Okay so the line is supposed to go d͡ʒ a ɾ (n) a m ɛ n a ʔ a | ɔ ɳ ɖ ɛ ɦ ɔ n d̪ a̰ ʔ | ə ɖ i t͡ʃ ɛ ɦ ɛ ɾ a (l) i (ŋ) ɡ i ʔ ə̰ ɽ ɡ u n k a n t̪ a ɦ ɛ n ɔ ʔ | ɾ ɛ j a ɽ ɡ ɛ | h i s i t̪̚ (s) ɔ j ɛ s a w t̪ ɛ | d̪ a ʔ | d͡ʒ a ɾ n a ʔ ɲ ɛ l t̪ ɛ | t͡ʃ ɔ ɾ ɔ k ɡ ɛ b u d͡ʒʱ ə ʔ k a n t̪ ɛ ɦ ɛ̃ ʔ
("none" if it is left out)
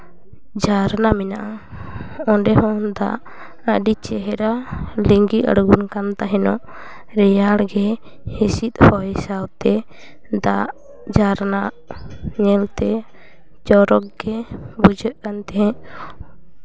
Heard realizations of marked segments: n, l, ŋ, h

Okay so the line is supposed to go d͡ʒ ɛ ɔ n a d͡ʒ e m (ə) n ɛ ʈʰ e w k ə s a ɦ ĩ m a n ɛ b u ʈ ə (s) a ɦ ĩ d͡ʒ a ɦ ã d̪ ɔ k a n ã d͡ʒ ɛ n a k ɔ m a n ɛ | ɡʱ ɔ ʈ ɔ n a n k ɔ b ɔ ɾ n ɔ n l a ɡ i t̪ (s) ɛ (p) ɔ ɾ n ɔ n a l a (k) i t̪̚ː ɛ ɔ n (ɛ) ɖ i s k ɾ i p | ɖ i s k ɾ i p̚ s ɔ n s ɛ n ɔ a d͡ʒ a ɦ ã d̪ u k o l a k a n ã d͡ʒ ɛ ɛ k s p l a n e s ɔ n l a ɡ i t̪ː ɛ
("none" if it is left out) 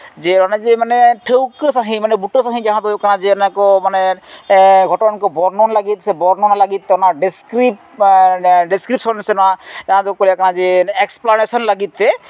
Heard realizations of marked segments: a, s, s, b, ɡ, a

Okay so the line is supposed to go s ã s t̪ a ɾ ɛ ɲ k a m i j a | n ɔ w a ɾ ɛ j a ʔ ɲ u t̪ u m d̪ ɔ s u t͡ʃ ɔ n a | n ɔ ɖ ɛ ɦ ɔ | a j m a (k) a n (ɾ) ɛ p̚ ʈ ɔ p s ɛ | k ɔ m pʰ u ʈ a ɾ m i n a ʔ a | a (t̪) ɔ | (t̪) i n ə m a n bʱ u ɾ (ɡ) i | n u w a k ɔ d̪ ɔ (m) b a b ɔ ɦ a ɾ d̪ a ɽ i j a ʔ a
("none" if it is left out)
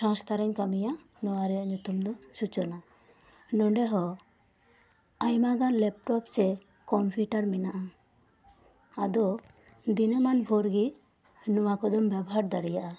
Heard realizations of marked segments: ɡ, l, d̪, d̪, ɡ, m

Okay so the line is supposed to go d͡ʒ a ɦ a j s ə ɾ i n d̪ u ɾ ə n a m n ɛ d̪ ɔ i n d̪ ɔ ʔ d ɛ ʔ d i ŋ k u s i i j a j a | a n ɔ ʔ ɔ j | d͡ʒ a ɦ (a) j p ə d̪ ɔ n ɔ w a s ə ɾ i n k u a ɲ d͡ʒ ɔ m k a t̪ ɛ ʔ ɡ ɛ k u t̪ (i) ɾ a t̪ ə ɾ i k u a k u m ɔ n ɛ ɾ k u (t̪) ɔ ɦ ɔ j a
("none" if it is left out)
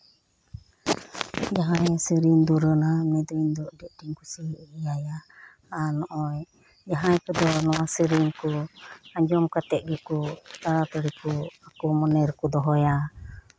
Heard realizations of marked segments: a, a, d̪

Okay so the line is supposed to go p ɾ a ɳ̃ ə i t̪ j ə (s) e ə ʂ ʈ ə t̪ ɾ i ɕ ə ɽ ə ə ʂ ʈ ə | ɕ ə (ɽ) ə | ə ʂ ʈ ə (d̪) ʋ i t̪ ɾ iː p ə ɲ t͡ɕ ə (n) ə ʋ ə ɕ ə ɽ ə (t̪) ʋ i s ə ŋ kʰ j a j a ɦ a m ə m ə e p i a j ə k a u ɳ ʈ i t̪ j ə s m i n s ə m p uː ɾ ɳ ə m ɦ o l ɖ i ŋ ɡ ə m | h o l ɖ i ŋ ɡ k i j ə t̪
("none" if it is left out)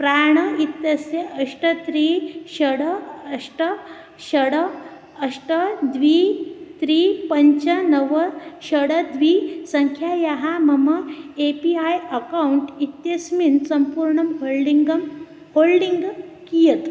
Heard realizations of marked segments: s, ɽ, d̪, n, d̪

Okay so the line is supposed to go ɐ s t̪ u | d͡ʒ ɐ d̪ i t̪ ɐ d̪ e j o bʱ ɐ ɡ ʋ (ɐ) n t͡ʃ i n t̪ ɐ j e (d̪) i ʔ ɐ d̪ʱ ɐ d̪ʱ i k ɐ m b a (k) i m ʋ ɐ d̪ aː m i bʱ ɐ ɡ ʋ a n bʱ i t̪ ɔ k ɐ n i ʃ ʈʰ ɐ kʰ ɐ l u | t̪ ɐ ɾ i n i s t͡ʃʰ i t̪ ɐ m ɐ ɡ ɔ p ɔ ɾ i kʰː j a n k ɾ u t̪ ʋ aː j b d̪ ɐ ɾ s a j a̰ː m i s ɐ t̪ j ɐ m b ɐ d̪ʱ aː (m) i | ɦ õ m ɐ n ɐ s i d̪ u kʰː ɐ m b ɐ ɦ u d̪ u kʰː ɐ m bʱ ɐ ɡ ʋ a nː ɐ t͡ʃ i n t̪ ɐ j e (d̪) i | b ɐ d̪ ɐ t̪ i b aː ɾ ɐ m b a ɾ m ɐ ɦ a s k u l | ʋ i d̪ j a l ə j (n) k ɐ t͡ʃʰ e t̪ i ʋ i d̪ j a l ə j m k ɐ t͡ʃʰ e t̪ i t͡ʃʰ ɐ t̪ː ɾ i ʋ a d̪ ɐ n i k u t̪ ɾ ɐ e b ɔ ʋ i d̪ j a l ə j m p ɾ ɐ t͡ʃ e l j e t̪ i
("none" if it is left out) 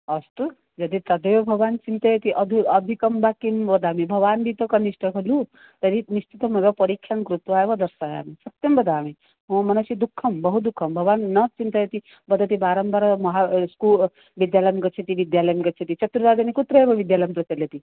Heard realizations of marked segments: a, t̪, k, m, t̪, m

